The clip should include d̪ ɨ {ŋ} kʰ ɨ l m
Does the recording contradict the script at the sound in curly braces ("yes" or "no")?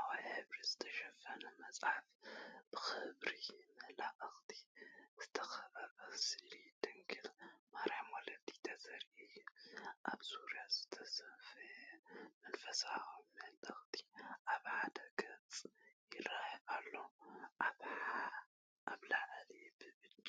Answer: no